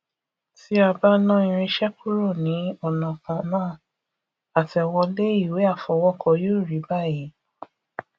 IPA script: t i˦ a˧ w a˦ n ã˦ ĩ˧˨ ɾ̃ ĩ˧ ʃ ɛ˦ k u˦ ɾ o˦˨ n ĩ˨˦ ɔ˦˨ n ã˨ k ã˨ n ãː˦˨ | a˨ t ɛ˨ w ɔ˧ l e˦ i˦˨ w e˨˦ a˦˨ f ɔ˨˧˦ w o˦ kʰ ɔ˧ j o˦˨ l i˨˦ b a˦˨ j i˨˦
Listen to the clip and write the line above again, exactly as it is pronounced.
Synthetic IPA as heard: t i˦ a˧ b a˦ n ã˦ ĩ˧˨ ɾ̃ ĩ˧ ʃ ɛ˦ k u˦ ɾ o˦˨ n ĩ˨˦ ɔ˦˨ n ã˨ k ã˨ n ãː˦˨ | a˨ t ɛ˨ w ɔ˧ l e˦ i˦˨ w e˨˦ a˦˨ f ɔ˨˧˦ w ɔ˦ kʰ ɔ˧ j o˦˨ ɾ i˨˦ b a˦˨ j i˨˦